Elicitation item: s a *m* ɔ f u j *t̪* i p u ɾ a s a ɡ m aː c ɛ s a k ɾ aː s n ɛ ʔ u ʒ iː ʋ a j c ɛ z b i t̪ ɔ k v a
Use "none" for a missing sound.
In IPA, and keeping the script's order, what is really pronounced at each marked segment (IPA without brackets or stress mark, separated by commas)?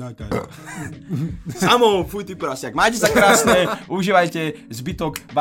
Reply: m, t̪